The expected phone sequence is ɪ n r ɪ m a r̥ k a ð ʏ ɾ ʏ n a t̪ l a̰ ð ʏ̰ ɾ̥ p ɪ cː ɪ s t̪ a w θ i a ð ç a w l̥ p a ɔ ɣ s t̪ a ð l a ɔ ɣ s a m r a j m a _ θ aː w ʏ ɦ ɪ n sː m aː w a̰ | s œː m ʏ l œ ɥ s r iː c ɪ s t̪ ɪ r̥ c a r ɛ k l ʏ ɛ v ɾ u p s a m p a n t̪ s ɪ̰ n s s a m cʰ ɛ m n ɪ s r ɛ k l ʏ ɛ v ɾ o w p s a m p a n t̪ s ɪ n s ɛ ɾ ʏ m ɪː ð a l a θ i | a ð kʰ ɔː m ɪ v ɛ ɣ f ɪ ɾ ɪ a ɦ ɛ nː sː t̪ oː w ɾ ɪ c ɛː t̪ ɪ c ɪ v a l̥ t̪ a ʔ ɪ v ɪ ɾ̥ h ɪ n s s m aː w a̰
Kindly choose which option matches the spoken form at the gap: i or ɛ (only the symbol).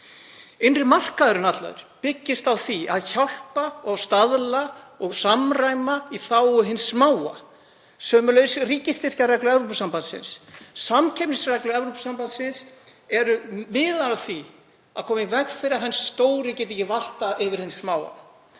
i